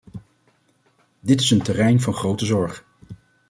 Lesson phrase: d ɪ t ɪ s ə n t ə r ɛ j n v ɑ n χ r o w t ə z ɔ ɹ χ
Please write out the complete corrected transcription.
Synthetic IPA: d ɪ t ɪ s ə n t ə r ɛ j n v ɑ n χ r o w t ə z ɔ ɹ χ